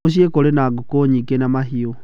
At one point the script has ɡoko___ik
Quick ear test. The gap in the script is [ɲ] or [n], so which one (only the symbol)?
ɲ